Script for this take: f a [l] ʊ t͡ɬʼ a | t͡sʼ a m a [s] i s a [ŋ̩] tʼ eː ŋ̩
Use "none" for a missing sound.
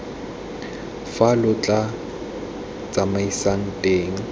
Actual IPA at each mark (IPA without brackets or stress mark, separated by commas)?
l, none, ŋ̩